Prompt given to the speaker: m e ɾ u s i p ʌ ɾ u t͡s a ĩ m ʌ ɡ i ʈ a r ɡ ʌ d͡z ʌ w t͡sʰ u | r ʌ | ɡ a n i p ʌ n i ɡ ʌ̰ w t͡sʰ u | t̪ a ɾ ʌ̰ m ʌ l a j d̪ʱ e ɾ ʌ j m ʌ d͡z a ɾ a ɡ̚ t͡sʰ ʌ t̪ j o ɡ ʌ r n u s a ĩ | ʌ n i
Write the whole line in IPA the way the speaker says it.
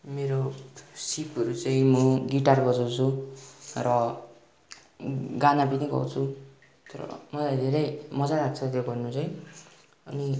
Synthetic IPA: m e ɾ o s i p ʌ ɾ u t͡s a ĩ m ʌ ɡ i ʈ a r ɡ ʌ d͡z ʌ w t͡sʰ u | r ʌ | ɡ a n a p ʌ n i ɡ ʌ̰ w t͡sʰ u | t̪ ʌ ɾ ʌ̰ m ʌ l a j d̪ʱ e ɾ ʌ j m ʌ d͡z a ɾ a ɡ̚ t͡sʰ ʌ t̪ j o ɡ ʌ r n u t͡s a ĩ | ʌ n i